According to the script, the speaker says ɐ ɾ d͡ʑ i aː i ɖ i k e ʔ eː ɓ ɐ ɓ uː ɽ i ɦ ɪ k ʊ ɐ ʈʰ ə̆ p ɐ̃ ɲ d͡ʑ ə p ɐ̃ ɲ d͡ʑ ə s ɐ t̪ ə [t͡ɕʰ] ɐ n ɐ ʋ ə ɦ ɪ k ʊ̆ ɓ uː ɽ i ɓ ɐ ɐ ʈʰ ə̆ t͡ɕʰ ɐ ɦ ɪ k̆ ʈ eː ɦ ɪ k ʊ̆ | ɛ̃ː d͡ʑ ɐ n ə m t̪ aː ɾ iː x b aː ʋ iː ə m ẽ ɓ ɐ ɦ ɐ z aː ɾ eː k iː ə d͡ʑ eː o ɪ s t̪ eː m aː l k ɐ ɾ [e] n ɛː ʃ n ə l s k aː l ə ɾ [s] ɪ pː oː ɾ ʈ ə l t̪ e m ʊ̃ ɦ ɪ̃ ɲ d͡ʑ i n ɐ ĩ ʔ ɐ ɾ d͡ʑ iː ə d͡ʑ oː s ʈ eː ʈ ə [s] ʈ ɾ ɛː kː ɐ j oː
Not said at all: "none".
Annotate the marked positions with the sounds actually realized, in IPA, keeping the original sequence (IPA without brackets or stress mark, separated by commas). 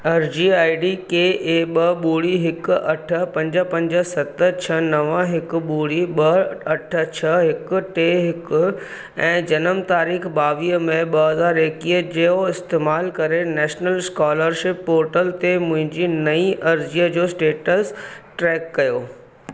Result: t͡ɕʰ, e, ʃ, s